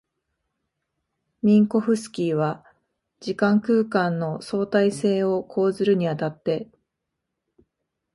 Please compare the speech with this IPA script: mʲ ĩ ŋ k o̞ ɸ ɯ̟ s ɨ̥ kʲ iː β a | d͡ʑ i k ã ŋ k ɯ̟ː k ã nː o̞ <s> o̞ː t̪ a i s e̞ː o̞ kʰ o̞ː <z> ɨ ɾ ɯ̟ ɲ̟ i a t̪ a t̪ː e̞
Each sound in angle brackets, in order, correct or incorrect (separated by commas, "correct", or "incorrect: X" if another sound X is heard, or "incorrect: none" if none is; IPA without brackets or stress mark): correct, correct